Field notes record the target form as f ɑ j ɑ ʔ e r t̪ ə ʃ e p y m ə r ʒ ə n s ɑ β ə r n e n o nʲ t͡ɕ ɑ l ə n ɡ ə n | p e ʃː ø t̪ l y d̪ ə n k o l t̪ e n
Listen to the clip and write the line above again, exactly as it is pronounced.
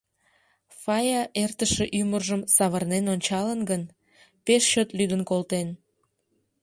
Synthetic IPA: f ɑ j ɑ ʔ e r t̪ ə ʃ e ʔ y m ə r ʒ ə m s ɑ β ə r n e n o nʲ t͡ɕ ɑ l ə n ɡ ə n | p e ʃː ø t̪ l y d̪ ə n k o l t̪ e n